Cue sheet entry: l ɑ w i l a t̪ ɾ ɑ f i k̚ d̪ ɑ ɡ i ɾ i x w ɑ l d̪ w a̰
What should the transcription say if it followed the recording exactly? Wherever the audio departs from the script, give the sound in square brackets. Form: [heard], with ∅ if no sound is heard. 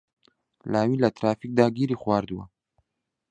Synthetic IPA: l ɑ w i l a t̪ ɾ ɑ f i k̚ d̪ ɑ ɡ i ɾ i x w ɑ [ɾ] d̪ w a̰